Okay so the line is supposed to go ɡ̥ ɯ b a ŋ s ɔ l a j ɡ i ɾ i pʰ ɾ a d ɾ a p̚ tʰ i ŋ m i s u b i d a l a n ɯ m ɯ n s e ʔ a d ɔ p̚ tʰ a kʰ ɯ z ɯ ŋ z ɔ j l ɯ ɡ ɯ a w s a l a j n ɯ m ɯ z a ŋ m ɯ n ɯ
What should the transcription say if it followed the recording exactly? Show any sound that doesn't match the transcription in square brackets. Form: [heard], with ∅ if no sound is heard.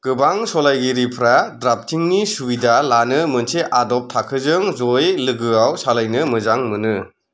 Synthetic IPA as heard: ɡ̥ ɯ b a ŋ s ɔ l a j ɡ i ɾ i pʰ ɾ a d ɾ a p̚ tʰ i ŋ [n] i s u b i d a l a n ɯ m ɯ n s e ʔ a d ɔ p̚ tʰ a kʰ ɯ z ɯ ŋ z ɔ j l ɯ ɡ ɯ a w s a l a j n ɯ m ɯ z a ŋ m ɯ n ɯ